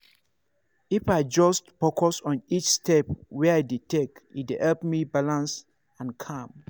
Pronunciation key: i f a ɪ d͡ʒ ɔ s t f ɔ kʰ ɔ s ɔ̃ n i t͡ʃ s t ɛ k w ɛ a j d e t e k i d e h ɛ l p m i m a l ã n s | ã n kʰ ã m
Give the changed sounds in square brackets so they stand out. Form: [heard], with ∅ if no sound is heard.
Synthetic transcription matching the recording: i f a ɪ d͡ʒ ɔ s t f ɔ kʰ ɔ s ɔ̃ n i t͡ʃ s t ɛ [p] w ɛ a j d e t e k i d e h ɛ l p m i [b] a l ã n s | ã n kʰ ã m